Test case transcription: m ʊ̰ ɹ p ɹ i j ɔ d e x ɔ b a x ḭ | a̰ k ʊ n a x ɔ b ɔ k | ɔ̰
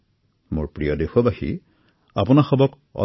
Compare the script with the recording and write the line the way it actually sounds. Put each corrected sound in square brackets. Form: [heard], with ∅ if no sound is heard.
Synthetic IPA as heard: m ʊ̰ ɹ p ɹ i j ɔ d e x ɔ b a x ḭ | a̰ [p] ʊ n a x ɔ b ɔ k | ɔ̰